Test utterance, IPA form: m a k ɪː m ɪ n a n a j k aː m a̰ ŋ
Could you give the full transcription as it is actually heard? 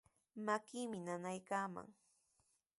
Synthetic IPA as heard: m a k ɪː m ɪ n a n a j k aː m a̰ ŋ